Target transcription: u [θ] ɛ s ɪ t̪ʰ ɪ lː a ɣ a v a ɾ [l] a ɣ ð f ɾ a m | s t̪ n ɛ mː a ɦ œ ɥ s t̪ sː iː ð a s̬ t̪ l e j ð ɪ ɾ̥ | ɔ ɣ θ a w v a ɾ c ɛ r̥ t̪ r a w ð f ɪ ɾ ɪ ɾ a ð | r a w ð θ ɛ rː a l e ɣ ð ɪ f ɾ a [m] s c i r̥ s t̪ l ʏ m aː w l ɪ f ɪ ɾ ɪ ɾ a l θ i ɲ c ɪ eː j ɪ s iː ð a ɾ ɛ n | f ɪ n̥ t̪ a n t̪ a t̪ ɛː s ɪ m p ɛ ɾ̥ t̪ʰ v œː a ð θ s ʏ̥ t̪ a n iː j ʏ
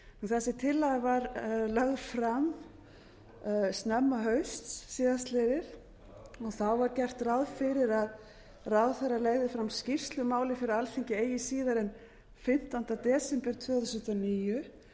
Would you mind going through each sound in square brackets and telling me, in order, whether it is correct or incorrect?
correct, correct, correct

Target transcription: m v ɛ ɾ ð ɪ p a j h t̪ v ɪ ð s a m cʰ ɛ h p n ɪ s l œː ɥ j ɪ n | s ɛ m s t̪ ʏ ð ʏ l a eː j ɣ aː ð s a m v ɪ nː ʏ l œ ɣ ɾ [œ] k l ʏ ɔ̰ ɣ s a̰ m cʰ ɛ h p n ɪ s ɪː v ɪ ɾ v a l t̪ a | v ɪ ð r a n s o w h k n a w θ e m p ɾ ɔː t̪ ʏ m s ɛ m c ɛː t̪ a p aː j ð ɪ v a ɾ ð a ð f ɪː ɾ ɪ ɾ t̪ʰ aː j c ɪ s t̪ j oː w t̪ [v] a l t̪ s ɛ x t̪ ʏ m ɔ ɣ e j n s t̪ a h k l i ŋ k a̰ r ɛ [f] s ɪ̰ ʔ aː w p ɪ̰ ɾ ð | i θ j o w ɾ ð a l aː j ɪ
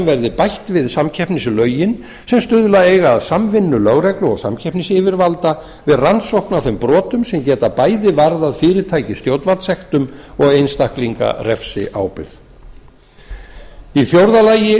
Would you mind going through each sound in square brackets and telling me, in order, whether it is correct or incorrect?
incorrect, correct, correct

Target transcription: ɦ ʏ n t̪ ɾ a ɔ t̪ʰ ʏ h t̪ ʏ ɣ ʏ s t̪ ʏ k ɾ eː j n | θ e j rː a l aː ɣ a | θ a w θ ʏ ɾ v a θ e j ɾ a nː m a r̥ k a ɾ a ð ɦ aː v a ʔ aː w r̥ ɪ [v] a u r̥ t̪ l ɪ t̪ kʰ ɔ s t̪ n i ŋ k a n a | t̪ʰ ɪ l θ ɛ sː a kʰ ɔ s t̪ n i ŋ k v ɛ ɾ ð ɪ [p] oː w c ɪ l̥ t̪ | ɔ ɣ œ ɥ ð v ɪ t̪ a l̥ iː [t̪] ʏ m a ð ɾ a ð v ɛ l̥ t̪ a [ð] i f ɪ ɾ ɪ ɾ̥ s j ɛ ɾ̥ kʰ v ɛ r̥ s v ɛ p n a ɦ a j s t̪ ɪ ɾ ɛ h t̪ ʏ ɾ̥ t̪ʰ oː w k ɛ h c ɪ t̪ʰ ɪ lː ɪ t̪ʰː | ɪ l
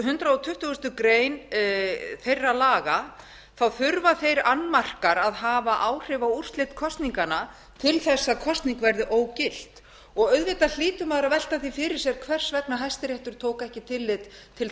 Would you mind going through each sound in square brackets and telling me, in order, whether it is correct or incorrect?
correct, incorrect, correct, incorrect

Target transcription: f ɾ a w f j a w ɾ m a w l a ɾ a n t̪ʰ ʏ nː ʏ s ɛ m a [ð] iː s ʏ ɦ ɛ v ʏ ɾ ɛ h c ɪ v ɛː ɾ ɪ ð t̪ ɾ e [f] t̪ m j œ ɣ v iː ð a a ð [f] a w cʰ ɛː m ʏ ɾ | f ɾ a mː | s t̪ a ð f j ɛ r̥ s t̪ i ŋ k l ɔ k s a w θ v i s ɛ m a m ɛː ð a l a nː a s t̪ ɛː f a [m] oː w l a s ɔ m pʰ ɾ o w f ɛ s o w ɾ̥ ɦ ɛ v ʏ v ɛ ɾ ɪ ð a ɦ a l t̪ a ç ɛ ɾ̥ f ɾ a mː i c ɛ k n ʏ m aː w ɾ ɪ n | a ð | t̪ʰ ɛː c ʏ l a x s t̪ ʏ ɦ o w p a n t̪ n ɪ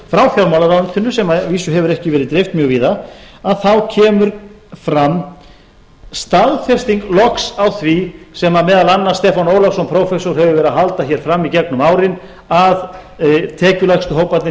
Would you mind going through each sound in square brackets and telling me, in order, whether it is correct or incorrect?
incorrect, correct, incorrect, incorrect

